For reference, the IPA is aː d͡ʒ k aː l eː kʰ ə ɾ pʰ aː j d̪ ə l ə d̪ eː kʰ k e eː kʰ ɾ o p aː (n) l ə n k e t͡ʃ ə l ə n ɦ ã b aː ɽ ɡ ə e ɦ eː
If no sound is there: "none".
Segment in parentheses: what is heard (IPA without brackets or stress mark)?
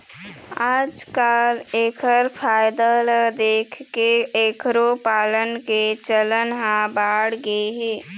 none